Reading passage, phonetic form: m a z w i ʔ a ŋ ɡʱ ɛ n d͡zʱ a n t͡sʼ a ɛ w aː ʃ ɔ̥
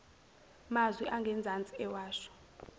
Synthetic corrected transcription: m a z w i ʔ a ŋ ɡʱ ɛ n d͡zʱ a n t͡sʼ i ɛ w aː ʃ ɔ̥